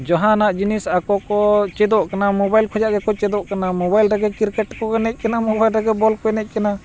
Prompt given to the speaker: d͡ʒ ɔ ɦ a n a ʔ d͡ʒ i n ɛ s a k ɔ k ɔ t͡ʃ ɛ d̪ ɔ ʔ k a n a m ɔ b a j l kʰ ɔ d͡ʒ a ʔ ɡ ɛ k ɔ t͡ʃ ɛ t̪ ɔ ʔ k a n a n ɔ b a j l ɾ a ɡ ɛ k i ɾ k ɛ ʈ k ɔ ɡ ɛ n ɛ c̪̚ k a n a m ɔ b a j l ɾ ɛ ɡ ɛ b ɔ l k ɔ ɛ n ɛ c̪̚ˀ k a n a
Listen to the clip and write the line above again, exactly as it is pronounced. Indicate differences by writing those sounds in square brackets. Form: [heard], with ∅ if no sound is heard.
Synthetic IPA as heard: d͡ʒ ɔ ɦ a n a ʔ d͡ʒ i n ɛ s a k ɔ k ɔ t͡ʃ ɛ d̪ ɔ ʔ k a n a m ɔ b a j l kʰ ɔ d͡ʒ a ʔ ɡ ɛ k ɔ t͡ʃ ɛ [d̪] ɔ ʔ k a n a [m] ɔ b a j l ɾ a ɡ ɛ k i ɾ k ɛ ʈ k ɔ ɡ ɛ n ɛ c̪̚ k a n a m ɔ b a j l ɾ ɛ ɡ ɛ b ɔ l k ɔ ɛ n ɛ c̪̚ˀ k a n a